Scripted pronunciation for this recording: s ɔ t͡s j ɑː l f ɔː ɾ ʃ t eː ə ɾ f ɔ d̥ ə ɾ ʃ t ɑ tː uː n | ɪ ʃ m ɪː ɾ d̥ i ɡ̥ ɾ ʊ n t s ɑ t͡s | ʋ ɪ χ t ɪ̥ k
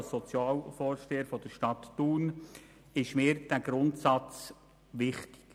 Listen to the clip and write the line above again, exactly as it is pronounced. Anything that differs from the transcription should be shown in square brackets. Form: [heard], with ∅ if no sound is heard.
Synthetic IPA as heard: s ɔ t͡s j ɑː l f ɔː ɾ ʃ t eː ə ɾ f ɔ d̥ ə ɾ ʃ t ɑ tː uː n | ɪ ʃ m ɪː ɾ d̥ [æ] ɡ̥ ɾ ʊ n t s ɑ t͡s | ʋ ɪ χ t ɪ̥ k

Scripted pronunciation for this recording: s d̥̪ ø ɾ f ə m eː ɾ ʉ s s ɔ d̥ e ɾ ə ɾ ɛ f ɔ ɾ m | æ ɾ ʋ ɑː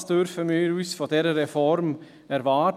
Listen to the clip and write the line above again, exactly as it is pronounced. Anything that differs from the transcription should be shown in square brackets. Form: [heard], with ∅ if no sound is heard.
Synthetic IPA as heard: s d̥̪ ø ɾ f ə m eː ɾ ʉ s [f] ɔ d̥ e ɾ ə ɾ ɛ f ɔ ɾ m | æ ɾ ʋ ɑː

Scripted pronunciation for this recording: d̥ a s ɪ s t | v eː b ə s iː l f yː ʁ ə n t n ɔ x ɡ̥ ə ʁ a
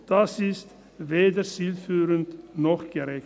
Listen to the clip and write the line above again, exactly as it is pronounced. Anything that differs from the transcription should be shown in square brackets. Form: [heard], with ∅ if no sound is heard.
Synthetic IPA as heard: d̥ a s ɪ s t | v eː [d] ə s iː l f yː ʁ ə n t n ɔ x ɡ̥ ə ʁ [ɛ]

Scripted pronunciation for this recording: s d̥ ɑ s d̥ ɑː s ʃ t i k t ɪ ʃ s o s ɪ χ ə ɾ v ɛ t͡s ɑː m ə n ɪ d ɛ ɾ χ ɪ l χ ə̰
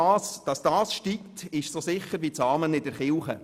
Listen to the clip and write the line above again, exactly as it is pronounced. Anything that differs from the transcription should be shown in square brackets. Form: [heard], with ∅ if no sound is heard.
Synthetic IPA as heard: s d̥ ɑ s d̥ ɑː s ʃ t i k t ɪ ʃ s o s ɪ χ ə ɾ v [i] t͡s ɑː m ə n ɪ d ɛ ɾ χ ɪ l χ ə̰

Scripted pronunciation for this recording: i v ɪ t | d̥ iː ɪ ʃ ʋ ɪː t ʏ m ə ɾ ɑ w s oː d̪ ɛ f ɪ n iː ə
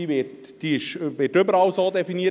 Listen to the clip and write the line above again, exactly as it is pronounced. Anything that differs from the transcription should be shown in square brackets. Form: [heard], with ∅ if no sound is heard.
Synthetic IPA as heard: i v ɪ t | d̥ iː ɪ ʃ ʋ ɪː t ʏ [b] ə ɾ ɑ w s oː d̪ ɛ f [i] n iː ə

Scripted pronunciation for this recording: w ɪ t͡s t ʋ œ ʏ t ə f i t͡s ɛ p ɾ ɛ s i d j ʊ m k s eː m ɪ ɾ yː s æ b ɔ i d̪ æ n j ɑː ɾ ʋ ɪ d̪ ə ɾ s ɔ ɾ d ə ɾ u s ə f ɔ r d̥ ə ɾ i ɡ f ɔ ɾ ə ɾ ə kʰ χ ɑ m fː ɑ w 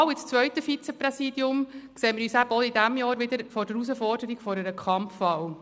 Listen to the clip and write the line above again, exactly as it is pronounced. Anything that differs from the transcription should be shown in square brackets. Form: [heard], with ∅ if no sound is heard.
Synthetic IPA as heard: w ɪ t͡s [t͡s] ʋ œ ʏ t ə f i t͡s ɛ p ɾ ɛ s i d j ʊ m k s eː m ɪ ɾ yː s æ b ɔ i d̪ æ [m] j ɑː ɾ ʋ ɪ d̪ ə ɾ [f] ɔ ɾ d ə ɾ u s ə f ɔ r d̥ ə ɾ i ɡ f ɔ ɾ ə ɾ ə kʰ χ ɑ m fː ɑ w

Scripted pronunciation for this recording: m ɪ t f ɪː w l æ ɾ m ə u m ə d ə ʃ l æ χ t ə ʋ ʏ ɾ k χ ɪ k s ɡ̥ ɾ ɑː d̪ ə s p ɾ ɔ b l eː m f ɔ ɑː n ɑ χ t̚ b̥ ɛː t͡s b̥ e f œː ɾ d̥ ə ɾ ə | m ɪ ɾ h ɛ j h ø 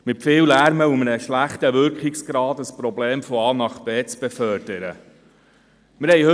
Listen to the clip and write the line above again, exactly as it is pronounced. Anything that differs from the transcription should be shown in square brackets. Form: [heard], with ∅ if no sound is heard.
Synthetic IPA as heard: m ɪ t f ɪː w l æ ɾ m ə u m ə [n] ə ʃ l æ χ t ə ʋ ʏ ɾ k χ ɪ k s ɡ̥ ɾ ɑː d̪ ə s p ɾ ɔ b l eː m f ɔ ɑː n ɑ χ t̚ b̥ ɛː t͡s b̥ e f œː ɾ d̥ ə ɾ ə | m ɪ ɾ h ɛ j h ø

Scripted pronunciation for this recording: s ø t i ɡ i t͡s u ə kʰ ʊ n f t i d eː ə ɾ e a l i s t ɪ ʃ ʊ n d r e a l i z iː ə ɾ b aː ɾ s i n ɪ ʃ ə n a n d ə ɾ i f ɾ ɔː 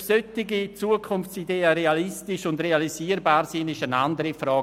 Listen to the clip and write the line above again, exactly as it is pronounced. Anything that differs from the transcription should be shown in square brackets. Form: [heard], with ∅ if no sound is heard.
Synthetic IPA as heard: s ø t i ɡ i t͡s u ə kʰ ʊ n f [t͡s] i d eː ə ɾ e a l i s t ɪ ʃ ʊ n d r e a l i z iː ə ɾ b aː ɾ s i n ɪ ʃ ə n a n d ə ɾ i f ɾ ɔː

